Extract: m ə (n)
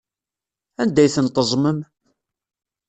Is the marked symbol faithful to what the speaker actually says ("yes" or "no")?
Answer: no